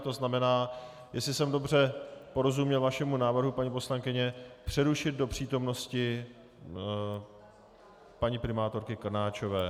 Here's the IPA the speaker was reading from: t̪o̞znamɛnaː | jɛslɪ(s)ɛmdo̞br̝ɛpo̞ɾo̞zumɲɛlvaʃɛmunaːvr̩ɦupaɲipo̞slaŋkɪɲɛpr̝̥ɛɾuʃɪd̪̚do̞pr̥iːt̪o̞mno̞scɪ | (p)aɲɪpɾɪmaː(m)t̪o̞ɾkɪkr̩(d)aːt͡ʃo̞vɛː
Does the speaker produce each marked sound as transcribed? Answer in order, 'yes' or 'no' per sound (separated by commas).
yes, yes, no, no